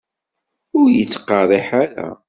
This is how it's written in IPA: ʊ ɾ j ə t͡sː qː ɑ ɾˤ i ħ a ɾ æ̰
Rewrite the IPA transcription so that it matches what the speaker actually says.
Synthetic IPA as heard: ʊ ɾ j ə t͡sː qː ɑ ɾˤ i ħ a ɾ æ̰